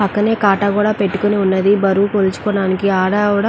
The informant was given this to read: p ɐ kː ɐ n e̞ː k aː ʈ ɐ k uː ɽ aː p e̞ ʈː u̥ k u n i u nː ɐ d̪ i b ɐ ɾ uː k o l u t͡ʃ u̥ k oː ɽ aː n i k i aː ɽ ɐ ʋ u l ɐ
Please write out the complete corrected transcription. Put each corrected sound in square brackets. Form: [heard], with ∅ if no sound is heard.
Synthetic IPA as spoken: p ɐ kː ɐ n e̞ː k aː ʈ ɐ k uː ɽ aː p e̞ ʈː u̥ k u n i u nː ɐ d̪ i b ɐ ɾ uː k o l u t͡ʃ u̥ k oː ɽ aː n i k i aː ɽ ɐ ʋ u [ɽ] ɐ